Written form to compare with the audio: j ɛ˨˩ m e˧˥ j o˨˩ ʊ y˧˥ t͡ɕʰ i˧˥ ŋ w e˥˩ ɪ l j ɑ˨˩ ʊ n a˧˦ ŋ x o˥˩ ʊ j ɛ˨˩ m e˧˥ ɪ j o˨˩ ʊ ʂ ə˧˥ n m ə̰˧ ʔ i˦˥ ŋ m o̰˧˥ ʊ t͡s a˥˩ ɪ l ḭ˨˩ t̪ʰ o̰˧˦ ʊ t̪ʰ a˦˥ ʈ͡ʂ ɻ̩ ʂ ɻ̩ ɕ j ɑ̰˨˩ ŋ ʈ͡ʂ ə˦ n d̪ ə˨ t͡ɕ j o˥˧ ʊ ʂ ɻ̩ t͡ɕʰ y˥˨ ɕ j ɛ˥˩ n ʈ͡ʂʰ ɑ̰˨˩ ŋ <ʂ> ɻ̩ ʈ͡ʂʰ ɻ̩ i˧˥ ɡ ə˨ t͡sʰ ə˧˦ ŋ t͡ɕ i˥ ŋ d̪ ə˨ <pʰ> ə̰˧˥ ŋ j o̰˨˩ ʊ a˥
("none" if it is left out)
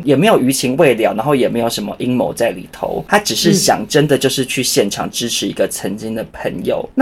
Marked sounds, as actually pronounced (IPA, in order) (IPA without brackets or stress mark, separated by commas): ʈ͡ʂ, pʰ